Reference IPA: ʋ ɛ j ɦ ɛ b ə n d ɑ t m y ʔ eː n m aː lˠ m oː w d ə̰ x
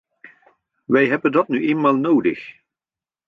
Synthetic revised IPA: ʋ ɛ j ɦ ɛ b ə n d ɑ t n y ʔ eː n m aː lˠ n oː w d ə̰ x